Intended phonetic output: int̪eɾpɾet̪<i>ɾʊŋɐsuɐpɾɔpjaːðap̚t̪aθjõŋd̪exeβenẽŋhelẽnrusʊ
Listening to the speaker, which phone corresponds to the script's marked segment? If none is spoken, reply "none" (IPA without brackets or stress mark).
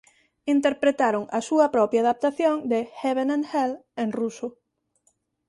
a